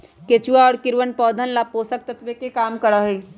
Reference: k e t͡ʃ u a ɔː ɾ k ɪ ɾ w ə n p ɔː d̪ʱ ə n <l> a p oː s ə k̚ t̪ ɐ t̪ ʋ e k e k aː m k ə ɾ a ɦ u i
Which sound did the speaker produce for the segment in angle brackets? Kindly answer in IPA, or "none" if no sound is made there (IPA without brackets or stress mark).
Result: l